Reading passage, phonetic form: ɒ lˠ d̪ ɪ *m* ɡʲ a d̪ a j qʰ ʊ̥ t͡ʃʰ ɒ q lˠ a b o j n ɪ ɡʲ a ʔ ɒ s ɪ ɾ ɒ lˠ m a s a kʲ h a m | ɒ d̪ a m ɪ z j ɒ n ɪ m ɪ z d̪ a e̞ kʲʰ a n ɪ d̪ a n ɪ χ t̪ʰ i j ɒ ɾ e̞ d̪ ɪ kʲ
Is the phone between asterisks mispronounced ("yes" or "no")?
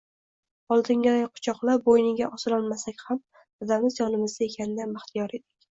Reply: yes